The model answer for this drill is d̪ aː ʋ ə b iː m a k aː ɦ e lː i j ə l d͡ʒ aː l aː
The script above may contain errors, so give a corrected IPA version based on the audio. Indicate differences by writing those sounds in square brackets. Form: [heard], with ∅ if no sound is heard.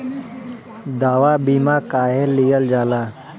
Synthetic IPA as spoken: d̪ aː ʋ [a] b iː m a k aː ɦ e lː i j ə l d͡ʒ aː l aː